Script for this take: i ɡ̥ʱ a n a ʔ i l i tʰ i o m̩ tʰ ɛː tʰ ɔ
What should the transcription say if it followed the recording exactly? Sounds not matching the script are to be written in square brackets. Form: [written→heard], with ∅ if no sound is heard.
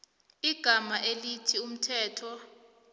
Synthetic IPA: i ɡ̥ʱ a [n→m] a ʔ [i→e] l i tʰ i [o→u] m̩ tʰ ɛː tʰ ɔ